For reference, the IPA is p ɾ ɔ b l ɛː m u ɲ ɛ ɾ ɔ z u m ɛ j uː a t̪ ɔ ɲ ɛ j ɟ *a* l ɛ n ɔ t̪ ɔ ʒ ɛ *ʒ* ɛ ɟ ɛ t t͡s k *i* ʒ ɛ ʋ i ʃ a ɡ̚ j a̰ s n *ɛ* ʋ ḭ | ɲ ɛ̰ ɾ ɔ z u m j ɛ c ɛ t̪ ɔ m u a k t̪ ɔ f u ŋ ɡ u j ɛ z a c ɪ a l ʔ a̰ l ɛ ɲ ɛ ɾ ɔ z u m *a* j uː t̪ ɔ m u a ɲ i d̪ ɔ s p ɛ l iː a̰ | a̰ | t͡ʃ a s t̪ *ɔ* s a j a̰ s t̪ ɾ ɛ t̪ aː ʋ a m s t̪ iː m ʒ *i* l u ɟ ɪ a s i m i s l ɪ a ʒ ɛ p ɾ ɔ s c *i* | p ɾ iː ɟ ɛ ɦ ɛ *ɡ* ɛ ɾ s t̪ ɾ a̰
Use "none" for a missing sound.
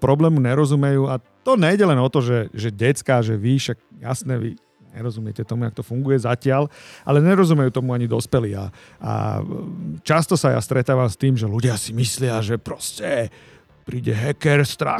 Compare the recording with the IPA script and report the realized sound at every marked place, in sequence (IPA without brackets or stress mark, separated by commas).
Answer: ɛ, ʒ, a, ɛ, ɛ, ɔ, ɛ, ɛ, k